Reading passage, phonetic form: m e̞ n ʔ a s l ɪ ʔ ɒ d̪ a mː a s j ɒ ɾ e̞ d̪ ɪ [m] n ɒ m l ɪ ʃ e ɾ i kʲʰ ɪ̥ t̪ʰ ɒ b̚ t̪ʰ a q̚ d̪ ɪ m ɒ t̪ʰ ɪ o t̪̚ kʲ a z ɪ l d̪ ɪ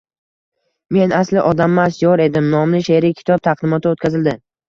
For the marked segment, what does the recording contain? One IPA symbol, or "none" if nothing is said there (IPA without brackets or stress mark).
m